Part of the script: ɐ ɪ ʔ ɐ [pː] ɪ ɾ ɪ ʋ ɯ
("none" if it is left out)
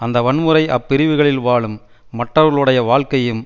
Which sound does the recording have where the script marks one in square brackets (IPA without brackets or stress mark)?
pː